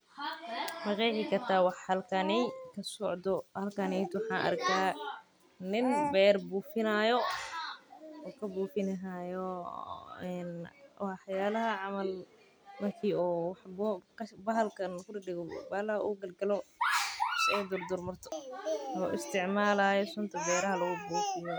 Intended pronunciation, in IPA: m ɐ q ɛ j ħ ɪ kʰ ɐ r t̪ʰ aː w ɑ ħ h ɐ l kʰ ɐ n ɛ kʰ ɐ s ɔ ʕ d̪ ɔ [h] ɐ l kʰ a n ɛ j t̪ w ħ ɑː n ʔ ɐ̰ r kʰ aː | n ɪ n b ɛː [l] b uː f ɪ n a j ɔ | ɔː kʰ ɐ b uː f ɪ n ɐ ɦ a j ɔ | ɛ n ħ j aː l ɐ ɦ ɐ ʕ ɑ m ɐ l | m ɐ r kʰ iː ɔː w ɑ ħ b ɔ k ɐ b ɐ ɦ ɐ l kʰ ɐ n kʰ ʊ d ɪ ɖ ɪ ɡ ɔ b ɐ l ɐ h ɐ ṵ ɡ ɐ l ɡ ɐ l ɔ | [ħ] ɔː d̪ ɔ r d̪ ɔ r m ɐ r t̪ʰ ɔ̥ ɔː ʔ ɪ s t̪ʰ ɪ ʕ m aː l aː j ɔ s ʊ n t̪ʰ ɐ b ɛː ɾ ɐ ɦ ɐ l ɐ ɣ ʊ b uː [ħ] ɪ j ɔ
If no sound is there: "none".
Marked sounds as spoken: h, r, s, f

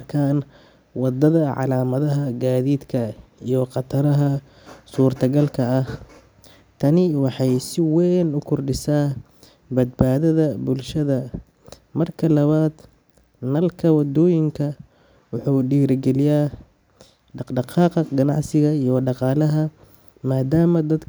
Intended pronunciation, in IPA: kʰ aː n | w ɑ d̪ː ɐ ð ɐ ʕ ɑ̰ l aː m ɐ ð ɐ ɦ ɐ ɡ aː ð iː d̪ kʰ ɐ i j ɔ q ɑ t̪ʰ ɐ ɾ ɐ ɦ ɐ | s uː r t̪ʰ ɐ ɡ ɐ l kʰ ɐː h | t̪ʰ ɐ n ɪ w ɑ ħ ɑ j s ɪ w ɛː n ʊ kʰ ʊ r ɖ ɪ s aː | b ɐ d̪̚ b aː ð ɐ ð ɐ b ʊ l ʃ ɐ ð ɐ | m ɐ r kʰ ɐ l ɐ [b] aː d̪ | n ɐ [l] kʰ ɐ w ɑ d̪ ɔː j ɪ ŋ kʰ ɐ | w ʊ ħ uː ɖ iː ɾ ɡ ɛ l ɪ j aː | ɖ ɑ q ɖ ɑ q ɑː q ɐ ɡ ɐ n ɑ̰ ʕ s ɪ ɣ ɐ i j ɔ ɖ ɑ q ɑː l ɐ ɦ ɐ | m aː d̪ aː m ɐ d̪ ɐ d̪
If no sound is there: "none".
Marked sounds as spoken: β, l

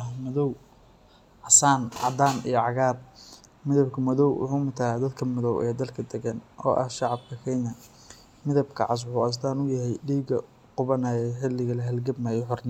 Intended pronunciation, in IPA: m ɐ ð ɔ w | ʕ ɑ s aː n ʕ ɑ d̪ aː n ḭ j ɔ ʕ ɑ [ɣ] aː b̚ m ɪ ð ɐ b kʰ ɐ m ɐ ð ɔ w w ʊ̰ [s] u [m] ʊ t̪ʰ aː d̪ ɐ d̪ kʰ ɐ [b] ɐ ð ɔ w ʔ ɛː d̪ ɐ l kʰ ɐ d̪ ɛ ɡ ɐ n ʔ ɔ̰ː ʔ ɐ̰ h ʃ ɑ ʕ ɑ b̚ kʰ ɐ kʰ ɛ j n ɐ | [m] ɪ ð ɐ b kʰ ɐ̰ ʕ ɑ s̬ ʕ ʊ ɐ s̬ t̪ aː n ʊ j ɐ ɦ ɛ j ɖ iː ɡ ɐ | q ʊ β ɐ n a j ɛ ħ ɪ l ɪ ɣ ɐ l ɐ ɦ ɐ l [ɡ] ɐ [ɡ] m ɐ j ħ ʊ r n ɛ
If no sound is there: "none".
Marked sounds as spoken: ɣ, ħ, m, m, m, ɡ, b

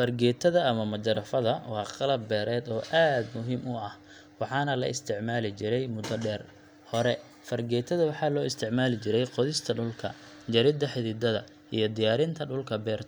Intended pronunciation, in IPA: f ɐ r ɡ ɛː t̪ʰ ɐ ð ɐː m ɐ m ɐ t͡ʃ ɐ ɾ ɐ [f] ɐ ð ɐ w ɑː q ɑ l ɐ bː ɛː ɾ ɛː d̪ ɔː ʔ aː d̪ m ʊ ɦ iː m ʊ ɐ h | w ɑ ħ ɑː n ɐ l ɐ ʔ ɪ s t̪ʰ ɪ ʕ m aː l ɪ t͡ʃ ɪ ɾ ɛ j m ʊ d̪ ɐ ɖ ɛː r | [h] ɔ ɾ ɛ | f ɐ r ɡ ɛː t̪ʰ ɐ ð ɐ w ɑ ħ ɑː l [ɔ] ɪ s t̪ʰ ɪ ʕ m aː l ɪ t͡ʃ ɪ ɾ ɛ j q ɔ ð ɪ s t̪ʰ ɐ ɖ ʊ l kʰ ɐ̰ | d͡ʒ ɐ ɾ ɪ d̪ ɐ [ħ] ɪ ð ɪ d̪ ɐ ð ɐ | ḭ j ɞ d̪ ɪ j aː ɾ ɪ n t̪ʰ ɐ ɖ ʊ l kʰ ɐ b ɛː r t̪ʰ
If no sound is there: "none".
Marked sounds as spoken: f, h, ɔː, ħ

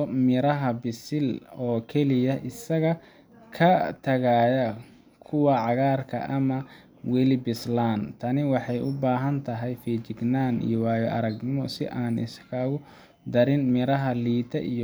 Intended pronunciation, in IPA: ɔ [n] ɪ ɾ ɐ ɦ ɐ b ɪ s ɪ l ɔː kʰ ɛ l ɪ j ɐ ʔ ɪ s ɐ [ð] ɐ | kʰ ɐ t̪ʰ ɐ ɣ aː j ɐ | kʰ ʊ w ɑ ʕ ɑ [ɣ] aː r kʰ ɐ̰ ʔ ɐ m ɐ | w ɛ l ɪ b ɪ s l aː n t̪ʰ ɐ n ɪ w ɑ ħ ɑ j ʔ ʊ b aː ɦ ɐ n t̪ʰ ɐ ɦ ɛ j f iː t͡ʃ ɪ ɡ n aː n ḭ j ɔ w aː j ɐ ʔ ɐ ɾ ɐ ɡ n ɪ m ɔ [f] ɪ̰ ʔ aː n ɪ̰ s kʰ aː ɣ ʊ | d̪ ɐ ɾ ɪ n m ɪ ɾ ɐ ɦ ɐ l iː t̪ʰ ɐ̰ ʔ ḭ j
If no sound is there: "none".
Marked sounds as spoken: m, ɣ, ɣ, s

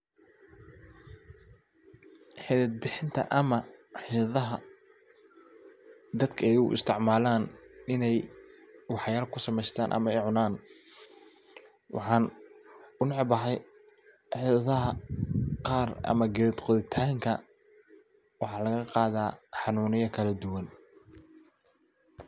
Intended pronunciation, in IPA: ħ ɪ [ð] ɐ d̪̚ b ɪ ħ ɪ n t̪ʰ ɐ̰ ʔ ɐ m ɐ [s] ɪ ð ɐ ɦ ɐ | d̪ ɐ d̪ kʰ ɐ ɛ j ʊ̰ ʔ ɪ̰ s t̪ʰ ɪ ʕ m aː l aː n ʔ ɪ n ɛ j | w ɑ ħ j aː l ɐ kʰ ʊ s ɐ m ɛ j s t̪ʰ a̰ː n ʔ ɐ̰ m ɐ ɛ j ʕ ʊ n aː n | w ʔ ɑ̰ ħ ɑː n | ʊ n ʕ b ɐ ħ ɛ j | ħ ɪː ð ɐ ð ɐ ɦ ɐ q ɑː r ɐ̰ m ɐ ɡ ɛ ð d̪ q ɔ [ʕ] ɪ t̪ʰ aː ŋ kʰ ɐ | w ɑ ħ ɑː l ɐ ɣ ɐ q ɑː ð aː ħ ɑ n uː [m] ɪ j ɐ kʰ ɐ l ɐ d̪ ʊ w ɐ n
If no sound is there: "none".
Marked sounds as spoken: ð, ħ, ð, n

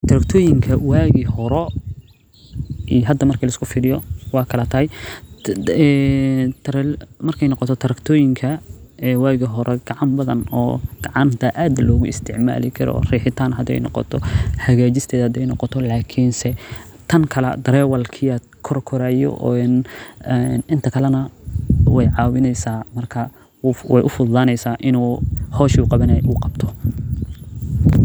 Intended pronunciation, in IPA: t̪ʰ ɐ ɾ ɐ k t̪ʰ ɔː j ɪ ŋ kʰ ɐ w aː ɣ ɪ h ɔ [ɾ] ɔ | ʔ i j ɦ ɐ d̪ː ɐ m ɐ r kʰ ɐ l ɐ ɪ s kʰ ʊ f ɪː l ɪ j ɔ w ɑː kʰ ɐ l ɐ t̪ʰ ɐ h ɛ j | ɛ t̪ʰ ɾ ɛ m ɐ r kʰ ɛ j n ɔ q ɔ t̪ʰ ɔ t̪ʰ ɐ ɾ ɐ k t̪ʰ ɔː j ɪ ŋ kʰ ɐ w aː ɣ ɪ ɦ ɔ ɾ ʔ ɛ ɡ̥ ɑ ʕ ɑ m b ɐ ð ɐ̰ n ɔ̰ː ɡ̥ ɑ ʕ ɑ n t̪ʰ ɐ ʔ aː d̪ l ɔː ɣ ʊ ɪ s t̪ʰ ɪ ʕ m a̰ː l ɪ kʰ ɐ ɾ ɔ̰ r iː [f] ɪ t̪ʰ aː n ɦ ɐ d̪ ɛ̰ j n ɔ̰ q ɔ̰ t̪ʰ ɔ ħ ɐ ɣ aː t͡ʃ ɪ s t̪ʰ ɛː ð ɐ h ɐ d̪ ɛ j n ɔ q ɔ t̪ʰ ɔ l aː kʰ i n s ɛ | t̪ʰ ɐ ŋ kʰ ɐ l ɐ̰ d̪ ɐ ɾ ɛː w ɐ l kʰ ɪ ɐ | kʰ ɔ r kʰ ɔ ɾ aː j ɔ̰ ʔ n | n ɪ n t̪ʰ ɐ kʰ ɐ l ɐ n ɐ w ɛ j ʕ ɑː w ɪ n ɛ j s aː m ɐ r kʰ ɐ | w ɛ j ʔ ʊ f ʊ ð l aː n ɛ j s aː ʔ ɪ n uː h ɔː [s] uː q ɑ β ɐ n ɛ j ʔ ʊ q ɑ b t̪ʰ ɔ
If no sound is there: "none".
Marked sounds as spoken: ɾ, ħ, ʃ

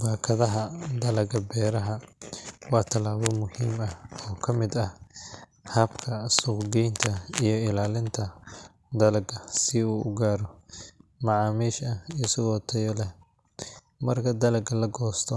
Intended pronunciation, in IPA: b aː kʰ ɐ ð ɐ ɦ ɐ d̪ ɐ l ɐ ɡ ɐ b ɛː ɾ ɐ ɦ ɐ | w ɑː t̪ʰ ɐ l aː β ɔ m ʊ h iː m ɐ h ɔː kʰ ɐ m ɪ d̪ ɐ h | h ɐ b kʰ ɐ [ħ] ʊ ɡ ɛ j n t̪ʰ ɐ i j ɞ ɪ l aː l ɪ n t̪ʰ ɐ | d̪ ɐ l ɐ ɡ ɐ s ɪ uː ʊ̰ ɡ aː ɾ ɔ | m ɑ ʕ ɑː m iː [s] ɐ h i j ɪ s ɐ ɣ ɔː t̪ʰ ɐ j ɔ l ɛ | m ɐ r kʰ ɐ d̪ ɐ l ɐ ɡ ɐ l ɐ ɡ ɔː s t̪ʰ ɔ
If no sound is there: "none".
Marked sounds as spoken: s, ʃ

